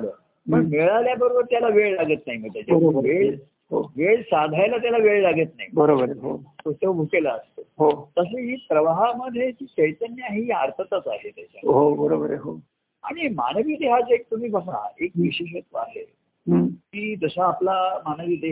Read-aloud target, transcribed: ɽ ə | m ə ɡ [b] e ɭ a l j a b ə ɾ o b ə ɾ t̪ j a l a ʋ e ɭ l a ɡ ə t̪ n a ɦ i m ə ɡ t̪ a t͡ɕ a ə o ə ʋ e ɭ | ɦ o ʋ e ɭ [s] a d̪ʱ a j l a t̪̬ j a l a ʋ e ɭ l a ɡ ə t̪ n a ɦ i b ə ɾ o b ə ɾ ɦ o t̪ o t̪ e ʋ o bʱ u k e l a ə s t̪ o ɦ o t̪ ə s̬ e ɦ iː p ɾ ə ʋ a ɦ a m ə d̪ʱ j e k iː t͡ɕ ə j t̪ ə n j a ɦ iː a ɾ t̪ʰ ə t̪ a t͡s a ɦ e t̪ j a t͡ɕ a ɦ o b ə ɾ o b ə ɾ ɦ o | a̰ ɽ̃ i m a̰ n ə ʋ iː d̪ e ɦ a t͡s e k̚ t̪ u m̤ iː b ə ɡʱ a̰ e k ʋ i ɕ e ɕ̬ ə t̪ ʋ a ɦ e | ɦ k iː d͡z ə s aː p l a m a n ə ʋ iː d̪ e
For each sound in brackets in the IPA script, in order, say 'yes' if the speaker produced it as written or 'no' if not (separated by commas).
no, yes